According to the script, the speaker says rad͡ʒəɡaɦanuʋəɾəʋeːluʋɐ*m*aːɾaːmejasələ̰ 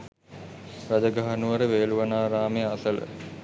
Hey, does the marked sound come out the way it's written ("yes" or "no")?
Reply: no